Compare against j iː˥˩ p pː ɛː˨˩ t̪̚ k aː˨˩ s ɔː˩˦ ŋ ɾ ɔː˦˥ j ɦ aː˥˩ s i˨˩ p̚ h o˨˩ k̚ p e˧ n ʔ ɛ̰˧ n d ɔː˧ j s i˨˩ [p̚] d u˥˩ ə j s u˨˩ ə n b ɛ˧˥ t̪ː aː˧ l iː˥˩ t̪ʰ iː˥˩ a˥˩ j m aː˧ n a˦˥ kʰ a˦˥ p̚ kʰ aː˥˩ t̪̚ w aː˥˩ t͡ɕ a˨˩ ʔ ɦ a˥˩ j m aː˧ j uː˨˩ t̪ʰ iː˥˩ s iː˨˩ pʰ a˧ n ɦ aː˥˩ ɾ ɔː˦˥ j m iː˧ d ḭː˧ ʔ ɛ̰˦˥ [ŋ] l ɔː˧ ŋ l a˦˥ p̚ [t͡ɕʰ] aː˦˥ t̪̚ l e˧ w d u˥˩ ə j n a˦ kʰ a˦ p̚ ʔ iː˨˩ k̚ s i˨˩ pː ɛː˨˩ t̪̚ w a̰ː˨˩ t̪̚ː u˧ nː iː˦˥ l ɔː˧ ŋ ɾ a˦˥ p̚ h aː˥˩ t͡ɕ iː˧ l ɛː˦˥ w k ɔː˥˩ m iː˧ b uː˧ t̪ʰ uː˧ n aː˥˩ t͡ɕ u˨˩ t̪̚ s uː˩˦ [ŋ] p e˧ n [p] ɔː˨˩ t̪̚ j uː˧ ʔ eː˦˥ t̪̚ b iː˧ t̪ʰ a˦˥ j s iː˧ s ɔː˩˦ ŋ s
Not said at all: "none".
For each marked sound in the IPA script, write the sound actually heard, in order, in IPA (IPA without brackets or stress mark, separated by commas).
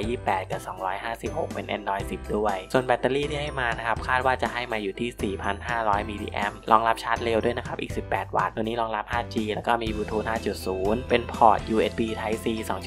p̚, m, t͡ɕʰ, n, pʰ